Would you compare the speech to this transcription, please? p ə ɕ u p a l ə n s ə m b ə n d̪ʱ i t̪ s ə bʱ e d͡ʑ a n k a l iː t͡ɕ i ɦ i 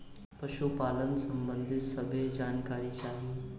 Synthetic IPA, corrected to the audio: p ə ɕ u p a l ə n s ə m b ə n d̪ʱ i t̪ s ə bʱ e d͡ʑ a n k a ɾ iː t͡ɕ a ɦ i